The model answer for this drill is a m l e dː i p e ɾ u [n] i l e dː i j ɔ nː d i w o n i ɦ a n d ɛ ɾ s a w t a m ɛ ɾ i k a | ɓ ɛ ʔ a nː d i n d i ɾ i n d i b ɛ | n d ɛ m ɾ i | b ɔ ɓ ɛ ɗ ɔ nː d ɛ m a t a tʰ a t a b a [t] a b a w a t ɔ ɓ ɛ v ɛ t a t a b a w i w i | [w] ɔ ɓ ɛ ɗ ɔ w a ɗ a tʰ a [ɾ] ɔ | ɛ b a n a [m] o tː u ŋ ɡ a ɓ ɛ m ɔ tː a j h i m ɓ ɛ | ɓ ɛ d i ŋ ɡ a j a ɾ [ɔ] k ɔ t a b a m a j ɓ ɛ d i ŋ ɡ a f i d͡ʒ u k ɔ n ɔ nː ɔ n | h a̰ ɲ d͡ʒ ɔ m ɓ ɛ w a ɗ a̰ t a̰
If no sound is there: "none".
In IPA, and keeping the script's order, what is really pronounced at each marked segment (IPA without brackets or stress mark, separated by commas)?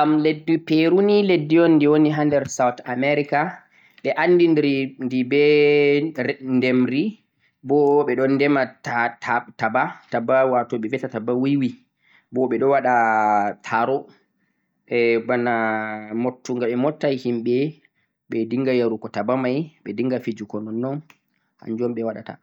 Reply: n, t, b, ɾ, m, u